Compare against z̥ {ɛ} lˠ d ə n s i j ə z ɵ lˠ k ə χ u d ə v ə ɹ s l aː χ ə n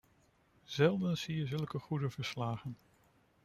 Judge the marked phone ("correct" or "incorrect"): correct